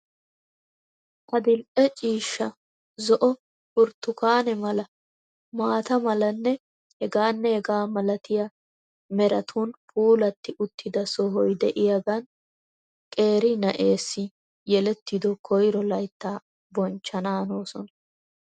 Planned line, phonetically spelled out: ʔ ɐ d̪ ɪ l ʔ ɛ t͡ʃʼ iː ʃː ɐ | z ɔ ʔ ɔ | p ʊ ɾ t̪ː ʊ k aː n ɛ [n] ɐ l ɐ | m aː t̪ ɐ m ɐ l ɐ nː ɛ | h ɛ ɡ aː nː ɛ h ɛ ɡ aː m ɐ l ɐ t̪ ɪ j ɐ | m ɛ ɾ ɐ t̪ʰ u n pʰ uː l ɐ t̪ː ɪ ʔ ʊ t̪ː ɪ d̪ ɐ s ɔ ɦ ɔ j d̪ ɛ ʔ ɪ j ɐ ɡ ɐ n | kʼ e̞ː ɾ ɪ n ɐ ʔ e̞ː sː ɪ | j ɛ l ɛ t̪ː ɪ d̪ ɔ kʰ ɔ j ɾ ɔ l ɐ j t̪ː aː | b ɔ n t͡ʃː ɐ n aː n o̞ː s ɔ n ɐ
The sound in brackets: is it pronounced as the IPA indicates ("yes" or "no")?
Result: no